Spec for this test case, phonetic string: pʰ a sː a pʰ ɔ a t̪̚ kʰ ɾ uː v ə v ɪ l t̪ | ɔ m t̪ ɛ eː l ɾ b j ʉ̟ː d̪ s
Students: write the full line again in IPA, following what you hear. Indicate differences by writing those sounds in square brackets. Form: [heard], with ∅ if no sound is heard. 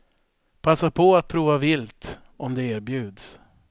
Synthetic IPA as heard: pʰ a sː a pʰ ɔ a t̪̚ [pʰ] ɾ uː v [a] v ɪ l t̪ | ɔ m [d̪] ɛ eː [∅] ɾ b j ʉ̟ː d̪ s